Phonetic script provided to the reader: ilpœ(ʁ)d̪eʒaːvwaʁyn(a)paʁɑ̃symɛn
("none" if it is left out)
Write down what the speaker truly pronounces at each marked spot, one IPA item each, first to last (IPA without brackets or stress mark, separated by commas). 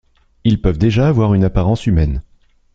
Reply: v, a